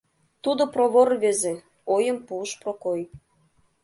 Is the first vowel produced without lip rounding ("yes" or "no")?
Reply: no